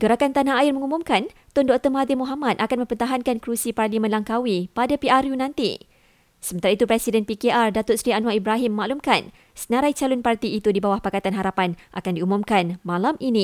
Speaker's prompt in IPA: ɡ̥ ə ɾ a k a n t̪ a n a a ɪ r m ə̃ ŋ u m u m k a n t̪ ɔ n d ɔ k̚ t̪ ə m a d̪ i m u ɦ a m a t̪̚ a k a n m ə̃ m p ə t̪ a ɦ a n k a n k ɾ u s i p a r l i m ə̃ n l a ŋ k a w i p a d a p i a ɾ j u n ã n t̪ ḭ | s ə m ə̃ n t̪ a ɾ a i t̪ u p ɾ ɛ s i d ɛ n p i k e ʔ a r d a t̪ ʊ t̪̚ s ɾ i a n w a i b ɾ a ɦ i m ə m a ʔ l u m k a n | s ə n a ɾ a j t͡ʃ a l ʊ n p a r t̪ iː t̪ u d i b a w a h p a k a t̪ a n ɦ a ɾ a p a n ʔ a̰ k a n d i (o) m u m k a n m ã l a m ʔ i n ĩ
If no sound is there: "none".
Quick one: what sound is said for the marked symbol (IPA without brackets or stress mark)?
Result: u